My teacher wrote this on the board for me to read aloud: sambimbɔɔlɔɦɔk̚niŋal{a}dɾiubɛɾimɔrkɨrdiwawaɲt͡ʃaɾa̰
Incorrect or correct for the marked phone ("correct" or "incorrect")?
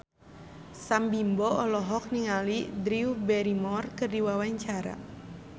incorrect